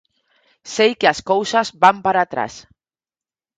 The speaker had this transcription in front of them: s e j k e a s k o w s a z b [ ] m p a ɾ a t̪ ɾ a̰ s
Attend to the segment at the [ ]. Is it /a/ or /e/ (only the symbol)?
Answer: a